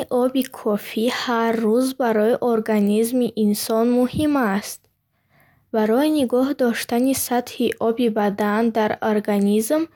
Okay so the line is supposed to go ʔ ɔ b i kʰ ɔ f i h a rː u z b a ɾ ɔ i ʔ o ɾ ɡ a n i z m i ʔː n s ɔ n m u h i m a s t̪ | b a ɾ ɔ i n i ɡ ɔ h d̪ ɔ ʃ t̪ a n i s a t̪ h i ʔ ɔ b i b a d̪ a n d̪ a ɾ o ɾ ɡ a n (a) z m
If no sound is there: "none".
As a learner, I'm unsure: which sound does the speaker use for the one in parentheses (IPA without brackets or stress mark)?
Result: i